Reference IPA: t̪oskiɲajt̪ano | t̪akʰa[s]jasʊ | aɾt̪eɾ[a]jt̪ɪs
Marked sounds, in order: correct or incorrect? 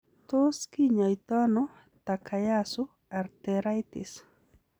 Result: incorrect: none, correct

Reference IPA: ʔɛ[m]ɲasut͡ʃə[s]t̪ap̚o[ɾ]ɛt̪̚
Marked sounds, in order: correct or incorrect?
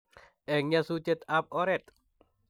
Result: incorrect: ŋ, incorrect: none, correct

